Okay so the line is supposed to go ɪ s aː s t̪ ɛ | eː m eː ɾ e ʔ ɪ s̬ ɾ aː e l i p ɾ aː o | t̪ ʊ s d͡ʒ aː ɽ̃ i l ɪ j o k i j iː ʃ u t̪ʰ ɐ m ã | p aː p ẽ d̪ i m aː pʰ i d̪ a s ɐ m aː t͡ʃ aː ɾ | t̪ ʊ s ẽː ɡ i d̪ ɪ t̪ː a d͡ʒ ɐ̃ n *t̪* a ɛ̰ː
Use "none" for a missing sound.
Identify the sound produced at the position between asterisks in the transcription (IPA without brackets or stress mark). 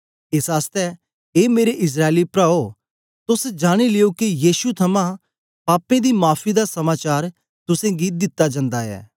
d̪